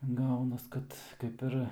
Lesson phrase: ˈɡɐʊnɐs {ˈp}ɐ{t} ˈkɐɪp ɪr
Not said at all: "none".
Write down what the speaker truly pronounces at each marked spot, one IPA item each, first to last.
k, t

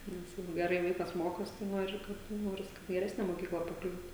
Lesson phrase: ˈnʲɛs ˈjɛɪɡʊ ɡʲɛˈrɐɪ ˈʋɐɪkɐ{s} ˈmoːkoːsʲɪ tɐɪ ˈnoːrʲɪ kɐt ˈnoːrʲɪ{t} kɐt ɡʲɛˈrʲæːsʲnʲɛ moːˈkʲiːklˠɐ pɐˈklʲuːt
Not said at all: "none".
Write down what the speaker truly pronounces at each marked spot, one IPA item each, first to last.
s, s

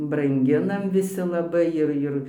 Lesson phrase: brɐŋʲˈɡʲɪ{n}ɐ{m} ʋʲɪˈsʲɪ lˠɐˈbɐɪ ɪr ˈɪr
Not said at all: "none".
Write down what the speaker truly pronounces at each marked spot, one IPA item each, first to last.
n, m

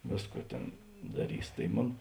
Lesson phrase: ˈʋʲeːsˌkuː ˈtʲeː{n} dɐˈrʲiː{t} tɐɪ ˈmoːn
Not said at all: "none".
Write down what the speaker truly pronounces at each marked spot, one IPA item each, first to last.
n, s

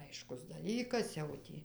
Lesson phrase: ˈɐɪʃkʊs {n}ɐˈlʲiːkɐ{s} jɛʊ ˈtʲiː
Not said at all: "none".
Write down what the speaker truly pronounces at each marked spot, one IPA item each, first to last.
d, s

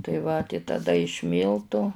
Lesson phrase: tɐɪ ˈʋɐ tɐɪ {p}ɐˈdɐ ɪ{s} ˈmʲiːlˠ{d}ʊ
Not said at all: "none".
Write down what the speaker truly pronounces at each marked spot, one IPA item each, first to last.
t, ʃ, t

